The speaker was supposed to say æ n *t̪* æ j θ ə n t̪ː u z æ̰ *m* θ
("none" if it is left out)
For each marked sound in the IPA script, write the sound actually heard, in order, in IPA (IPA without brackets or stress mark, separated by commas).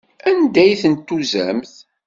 d̪, m